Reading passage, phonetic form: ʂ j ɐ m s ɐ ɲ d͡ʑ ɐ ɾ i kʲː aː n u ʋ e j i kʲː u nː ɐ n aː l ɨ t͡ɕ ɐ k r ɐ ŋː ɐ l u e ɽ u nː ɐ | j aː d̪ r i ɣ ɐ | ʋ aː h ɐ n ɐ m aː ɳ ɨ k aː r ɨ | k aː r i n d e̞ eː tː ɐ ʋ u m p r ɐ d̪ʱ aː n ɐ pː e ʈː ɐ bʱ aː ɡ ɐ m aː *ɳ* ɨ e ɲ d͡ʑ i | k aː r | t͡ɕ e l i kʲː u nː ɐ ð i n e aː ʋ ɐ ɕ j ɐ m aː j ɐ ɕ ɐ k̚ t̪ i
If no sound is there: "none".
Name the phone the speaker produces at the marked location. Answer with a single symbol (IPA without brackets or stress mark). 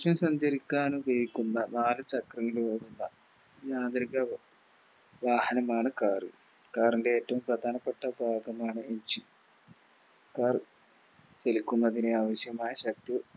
ɳ